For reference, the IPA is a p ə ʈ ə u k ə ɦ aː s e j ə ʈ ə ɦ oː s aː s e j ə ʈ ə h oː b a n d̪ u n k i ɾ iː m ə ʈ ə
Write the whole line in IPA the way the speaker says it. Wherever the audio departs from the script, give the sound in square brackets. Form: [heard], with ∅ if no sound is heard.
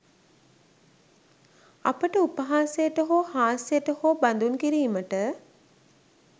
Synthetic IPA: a p ə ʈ ə u [p] ə ɦ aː s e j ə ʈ ə ɦ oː [h] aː s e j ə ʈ ə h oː b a n d̪ u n k i ɾ iː m ə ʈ ə